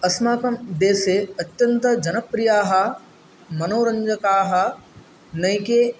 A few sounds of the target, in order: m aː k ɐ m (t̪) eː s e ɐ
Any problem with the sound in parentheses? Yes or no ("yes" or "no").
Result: yes